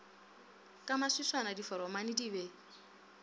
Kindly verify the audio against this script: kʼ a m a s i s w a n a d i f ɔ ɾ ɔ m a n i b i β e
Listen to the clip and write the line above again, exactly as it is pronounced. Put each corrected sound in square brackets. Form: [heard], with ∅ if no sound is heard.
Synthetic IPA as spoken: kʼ a m a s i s w a n a d i f ɔ ɾ ɔ m a n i [d] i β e